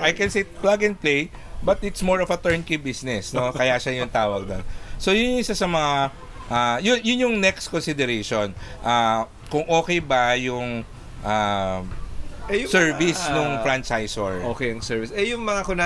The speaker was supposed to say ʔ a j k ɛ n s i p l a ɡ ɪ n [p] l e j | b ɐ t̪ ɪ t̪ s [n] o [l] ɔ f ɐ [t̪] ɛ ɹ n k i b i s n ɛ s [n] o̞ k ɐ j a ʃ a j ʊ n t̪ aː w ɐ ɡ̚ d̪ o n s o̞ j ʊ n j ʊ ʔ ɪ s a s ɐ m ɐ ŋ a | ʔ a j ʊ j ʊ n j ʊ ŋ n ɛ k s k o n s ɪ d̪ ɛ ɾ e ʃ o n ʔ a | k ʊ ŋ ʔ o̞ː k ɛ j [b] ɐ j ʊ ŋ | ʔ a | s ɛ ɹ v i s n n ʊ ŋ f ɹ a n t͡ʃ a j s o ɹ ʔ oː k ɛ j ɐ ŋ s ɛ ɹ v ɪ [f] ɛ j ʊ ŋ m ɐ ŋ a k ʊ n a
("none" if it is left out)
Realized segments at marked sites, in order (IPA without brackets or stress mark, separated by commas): p, m, ɹ, t̪, n, b, s